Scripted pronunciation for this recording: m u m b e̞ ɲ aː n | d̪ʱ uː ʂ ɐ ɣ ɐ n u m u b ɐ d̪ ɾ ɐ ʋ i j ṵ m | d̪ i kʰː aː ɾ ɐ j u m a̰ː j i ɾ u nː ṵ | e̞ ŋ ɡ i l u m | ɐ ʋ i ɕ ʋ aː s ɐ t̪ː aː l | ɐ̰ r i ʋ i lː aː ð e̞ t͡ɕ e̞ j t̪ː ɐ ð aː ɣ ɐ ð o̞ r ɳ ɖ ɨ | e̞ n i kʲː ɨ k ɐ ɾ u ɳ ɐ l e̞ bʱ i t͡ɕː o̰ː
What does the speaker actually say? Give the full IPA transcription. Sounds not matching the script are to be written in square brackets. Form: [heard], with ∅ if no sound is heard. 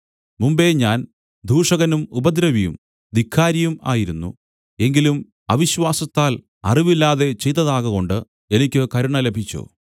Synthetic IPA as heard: m u m b e̞ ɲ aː n | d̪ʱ uː ʂ ɐ ɣ ɐ n u m u b ɐ d̪ ɾ ɐ ʋ i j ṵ m | d̪ i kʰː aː ɾ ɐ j u m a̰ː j i ɾ u nː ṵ | e̞ ŋ ɡ i l u m | ɐ ʋ i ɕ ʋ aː s ɐ t̪ː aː l | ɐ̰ r i ʋ i lː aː ð e̞ t͡ɕ e̞ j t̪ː ɐ ð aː ɣ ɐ [ɣ] o̞ [∅] ɳ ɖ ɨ | e̞ n i kʲː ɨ k ɐ ɾ u ɳ ɐ l e̞ bʱ i t͡ɕː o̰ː